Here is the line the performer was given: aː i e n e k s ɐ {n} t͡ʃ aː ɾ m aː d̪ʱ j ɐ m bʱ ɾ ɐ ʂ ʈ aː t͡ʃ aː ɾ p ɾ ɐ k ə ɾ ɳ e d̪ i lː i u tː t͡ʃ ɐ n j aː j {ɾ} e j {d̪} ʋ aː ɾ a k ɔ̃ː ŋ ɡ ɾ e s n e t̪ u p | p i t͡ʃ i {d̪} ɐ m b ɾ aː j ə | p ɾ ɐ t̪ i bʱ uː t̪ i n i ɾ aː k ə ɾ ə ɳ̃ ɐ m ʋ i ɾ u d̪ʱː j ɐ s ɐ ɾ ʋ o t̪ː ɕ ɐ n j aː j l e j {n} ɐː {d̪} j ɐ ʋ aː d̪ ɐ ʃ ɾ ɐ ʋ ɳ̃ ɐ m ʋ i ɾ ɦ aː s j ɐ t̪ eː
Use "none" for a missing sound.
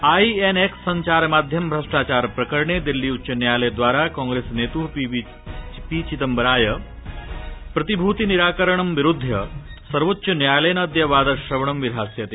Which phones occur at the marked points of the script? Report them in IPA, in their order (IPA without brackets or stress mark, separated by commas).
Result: ɲ, l, d̪, t̪, n, d̪